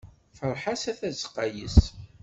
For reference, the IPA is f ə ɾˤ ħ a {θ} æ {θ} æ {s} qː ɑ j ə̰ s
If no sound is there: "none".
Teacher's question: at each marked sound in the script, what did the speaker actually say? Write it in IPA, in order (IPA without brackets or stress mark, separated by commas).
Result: s, θ, z